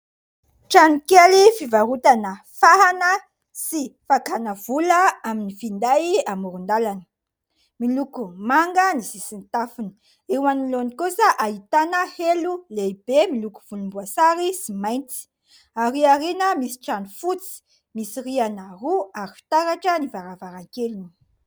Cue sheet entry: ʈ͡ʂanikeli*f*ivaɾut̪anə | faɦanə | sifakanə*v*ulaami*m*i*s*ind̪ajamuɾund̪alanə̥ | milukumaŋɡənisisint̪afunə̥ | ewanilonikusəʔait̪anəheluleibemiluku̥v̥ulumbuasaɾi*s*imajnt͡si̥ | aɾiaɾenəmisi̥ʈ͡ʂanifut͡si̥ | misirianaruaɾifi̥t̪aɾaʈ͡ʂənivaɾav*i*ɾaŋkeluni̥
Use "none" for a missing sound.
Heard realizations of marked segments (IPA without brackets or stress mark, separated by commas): f, v, n, f, s, a